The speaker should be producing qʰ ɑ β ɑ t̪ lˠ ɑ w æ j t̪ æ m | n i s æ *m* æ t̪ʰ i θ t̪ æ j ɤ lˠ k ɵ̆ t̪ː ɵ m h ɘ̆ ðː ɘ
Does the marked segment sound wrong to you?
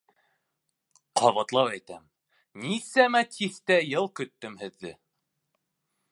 no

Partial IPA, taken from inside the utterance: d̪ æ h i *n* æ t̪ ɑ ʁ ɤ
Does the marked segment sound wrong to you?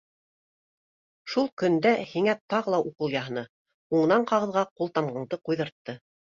yes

